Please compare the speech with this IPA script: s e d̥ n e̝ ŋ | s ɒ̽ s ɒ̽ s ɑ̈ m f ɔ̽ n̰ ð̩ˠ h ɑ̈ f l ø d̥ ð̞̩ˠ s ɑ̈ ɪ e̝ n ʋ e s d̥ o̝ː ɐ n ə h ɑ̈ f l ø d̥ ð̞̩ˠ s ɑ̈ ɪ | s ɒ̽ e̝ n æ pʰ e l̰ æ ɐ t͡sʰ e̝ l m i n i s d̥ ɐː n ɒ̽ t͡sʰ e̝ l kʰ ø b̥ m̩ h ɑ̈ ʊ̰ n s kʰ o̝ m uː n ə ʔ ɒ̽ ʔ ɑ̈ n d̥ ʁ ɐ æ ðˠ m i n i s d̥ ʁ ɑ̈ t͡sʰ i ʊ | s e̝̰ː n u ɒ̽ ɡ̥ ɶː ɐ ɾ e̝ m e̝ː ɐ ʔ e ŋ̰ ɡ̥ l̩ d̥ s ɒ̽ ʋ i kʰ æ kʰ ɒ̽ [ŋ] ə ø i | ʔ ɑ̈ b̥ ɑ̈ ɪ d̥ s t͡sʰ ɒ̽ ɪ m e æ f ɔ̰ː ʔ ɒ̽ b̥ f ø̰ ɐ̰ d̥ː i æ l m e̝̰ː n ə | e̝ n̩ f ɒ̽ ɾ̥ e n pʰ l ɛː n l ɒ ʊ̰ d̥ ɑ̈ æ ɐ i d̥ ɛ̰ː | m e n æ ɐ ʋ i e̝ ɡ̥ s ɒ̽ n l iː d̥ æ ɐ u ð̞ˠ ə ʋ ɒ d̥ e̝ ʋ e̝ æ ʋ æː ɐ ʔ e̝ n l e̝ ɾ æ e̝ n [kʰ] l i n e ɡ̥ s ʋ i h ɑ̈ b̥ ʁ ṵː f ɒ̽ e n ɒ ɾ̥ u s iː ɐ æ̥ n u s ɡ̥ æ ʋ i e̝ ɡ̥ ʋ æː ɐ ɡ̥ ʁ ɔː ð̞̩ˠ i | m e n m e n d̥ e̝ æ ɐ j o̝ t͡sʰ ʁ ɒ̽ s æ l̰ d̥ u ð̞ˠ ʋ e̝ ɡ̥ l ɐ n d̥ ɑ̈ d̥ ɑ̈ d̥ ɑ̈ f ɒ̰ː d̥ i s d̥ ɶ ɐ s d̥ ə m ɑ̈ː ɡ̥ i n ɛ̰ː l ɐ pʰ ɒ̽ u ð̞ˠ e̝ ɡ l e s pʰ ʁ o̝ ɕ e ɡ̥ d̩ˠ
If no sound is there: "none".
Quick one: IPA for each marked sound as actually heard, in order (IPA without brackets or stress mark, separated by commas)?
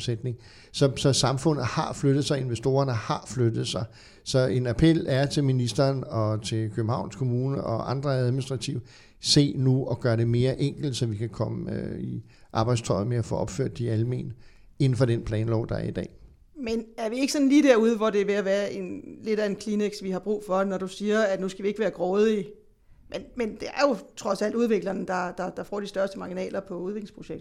m, kʰ